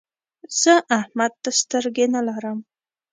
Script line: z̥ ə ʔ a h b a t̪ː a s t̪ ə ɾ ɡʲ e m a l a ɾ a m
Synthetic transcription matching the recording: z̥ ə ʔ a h m a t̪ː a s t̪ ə ɾ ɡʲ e n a l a ɾ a m